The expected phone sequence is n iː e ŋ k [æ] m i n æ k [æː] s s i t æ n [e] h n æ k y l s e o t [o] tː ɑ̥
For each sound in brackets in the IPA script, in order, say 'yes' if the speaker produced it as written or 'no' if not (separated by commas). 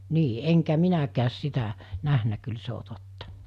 yes, yes, no, yes